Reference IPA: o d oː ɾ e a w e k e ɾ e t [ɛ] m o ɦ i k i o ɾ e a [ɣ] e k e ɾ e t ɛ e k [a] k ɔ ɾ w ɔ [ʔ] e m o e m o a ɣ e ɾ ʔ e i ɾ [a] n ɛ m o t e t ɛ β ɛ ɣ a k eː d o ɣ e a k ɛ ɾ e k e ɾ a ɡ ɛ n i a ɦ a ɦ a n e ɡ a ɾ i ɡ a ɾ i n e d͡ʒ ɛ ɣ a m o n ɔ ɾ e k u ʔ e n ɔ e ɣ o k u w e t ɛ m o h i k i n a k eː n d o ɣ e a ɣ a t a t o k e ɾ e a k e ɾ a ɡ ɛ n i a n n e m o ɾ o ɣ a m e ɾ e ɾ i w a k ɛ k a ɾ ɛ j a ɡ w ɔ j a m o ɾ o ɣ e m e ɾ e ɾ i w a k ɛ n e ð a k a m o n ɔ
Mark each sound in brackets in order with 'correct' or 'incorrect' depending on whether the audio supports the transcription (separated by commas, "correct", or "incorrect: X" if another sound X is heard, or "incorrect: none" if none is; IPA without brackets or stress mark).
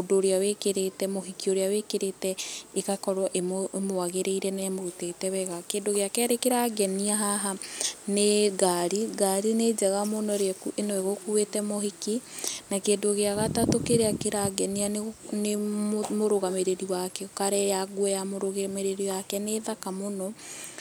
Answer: correct, incorrect: w, correct, correct, incorrect: ɛ